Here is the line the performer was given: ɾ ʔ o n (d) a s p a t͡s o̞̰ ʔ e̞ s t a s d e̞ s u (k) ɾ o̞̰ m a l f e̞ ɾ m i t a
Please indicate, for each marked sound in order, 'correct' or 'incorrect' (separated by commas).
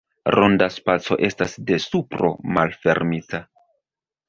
correct, incorrect